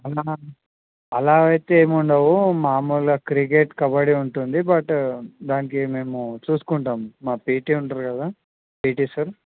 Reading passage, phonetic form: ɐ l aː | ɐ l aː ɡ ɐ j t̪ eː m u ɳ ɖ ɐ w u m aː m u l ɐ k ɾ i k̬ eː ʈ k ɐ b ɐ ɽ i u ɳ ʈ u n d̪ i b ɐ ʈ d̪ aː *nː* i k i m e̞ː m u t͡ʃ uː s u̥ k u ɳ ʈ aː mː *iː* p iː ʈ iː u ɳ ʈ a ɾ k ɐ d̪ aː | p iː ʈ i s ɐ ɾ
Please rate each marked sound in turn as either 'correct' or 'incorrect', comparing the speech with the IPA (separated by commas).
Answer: incorrect, incorrect